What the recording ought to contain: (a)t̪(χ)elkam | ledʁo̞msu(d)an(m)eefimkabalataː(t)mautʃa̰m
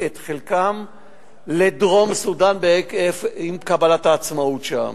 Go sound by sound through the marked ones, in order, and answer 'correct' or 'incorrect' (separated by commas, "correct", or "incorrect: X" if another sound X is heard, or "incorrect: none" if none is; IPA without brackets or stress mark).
incorrect: e, correct, correct, incorrect: b, incorrect: t͡s